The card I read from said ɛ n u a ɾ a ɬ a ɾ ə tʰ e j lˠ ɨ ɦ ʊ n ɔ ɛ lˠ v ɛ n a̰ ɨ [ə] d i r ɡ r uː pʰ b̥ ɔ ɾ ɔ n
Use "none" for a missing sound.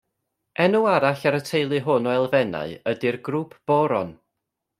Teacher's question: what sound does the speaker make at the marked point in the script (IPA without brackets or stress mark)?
ə